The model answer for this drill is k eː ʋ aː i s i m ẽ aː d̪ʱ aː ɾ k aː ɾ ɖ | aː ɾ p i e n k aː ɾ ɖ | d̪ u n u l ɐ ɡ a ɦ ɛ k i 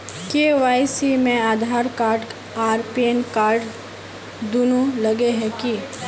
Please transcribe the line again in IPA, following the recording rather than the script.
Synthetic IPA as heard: k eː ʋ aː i s i m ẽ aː d̪ʱ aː ɾ k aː ɾ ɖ | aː ɾ p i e n k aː ɾ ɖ | d̪ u n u l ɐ ɡ e ɦ ɛ k i